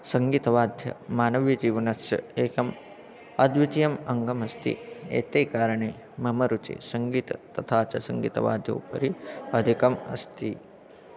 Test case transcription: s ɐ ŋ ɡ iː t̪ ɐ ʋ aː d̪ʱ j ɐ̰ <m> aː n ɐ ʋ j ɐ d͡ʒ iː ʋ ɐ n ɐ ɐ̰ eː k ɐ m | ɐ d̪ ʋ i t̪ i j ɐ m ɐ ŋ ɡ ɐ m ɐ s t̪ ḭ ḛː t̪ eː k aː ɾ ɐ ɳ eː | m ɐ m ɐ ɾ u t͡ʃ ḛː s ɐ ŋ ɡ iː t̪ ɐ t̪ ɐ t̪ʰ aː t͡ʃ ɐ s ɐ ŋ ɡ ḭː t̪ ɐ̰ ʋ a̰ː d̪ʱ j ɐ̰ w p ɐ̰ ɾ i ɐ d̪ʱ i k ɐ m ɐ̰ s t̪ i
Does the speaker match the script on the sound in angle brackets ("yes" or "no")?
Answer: yes